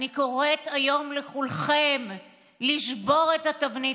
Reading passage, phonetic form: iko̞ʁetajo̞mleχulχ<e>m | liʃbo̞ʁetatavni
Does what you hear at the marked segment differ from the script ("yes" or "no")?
no